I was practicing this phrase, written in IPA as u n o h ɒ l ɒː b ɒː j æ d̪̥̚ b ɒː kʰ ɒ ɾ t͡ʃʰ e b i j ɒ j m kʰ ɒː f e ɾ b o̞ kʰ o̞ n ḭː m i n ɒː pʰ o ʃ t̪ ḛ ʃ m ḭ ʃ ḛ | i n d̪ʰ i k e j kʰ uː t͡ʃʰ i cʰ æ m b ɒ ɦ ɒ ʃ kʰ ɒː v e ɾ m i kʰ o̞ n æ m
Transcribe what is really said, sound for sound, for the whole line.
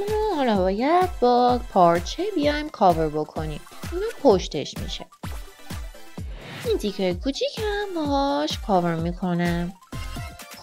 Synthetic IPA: u n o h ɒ l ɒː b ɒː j æ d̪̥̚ b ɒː pʰ ɒ ɾ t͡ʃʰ e b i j ɒ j m kʰ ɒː v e ɾ b o̞ kʰ o̞ n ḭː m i n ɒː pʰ o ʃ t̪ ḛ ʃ m ḭ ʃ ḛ | i n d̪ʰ i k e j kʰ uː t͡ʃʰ i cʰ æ m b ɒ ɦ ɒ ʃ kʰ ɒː v e ɾ m i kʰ o̞ n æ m